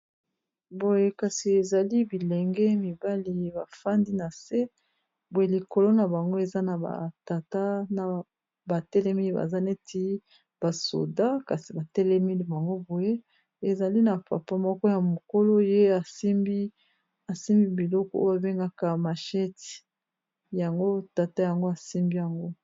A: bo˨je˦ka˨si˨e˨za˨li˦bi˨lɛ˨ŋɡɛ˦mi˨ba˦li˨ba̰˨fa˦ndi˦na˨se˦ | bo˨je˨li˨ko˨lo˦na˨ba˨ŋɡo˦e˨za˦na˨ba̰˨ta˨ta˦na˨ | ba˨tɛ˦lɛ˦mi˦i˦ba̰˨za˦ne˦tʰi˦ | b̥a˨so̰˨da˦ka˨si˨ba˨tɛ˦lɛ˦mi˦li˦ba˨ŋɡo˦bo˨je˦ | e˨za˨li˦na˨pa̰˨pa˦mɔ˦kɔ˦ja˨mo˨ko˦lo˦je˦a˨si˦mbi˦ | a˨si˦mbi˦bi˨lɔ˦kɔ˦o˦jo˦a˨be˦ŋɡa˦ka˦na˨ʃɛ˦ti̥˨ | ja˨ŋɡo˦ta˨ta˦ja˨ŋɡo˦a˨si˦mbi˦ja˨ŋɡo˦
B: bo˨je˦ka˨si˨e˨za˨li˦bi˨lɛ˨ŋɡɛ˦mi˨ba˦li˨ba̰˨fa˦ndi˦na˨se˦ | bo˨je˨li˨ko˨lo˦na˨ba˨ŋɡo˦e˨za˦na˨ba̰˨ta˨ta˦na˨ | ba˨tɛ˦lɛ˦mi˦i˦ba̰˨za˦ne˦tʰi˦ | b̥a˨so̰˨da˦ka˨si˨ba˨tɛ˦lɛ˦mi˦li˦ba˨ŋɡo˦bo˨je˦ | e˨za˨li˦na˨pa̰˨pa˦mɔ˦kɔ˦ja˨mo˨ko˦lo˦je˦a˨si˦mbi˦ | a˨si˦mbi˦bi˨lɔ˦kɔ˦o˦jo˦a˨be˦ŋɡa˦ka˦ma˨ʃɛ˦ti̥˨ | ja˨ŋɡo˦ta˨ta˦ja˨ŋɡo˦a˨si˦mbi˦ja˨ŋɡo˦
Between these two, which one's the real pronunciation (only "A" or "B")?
B